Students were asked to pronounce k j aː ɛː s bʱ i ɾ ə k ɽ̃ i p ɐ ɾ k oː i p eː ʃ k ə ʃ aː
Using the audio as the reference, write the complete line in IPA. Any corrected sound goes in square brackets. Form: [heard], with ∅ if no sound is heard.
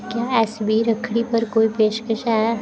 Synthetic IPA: k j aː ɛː s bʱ i ɾ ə [kʰ] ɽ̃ i p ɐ ɾ k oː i p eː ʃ k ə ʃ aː

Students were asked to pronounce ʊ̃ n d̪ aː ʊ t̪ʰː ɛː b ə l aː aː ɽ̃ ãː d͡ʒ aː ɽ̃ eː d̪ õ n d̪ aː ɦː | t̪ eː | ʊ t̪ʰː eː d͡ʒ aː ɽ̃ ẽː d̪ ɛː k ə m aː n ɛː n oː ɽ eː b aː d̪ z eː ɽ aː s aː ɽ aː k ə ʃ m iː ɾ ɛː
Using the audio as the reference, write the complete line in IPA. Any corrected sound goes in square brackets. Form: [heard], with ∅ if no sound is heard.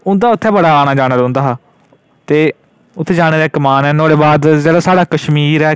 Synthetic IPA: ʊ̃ n d̪ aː ʊ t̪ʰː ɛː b ə [ɽ] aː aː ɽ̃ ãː d͡ʒ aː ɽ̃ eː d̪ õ n d̪ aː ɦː | t̪ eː | ʊ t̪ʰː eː d͡ʒ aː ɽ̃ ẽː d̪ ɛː k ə m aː n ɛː n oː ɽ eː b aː d̪ z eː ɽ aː s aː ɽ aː k ə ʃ m iː ɾ ɛː

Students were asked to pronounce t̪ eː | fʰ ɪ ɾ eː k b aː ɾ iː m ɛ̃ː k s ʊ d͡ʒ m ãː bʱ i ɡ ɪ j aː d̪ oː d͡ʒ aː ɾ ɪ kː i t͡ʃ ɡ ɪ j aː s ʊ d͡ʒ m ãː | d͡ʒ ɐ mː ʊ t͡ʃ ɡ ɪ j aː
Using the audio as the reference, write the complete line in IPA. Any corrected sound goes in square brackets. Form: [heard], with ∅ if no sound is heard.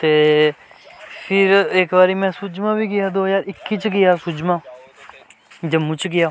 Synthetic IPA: t̪ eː | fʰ ɪ ɾ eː k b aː ɾ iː m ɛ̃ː [∅] s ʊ d͡ʒ m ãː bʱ i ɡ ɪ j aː d̪ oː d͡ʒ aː ɾ ɪ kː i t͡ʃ ɡ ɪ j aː s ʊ d͡ʒ m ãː | d͡ʒ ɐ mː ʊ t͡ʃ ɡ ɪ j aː

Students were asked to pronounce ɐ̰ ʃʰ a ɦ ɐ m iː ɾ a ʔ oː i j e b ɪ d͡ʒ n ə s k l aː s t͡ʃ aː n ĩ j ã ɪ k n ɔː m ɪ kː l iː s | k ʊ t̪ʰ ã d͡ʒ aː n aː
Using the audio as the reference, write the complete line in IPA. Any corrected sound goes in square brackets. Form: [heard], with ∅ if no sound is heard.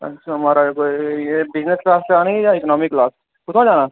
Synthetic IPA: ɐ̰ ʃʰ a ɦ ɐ m [aː] ɾ a [k] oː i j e b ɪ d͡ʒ n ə s k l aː s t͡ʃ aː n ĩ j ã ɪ k n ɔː m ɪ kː l [aː] s | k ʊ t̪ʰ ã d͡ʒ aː n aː

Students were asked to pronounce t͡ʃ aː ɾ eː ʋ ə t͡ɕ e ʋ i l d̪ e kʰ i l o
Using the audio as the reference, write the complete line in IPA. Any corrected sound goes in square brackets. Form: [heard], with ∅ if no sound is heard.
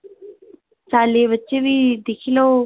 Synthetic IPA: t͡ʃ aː [l] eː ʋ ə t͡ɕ e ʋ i [∅] d̪ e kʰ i l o

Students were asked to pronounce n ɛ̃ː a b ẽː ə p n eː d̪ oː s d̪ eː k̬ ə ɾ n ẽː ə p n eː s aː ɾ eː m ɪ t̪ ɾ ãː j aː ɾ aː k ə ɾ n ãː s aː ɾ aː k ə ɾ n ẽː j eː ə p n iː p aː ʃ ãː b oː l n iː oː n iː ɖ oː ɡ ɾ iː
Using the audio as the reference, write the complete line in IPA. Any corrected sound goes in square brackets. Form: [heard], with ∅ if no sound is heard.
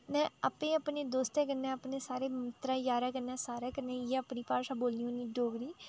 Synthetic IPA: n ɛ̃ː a [p] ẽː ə p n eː d̪ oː s [t̪] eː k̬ ə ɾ n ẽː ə p n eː s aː ɾ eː m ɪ t̪ ɾ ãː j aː ɾ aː k ə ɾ n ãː s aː ɾ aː k ə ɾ n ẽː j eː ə p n iː p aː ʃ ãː b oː l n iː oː n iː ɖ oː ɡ ɾ iː

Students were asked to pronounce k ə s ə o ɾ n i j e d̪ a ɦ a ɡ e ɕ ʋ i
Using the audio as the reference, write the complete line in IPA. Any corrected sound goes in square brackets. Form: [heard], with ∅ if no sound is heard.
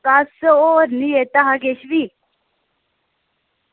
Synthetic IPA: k [a] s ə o ɾ n i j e [t̪] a ɦ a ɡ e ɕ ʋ i

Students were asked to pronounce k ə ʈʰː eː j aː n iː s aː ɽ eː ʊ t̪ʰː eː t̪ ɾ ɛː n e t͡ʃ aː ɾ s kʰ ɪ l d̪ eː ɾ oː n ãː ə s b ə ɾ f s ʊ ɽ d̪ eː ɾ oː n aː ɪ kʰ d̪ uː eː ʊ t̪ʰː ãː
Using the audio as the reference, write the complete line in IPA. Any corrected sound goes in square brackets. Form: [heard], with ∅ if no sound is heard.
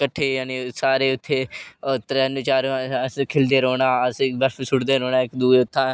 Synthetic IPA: k ə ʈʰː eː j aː n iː s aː [ɾ] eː ʊ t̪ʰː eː t̪ ɾ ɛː n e t͡ʃ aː ɾ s kʰ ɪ l d̪ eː ɾ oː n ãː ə s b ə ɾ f s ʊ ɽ d̪ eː ɾ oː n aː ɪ [k] d̪ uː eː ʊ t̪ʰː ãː

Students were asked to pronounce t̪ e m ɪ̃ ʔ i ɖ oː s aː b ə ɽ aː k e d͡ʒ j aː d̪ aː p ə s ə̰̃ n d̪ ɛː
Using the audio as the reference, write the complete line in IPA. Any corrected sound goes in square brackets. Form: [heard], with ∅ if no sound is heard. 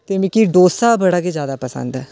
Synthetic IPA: t̪ e m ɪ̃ [k] i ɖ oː s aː b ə ɽ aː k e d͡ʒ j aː d̪ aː p ə s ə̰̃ n d̪ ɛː

